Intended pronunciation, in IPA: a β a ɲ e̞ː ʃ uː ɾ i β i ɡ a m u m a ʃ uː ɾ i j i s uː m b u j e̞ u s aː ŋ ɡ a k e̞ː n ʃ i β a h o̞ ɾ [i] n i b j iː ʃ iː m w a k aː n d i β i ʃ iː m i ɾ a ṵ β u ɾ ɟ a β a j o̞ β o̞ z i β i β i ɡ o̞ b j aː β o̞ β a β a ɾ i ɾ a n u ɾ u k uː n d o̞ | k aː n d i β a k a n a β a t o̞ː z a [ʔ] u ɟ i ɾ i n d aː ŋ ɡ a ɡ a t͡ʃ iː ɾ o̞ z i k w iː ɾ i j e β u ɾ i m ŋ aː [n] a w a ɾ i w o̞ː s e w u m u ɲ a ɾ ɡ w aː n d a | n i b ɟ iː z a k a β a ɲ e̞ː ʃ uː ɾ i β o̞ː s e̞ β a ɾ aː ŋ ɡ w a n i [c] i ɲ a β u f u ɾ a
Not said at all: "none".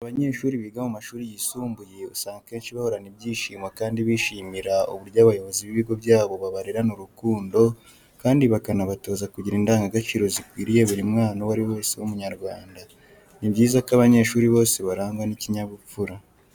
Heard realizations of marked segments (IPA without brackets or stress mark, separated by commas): a, k, n, c